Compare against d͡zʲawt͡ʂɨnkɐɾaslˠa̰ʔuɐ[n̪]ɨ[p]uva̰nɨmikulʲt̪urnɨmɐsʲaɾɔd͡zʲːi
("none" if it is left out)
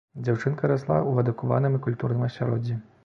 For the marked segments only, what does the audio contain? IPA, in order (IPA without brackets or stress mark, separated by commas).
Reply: d̪, k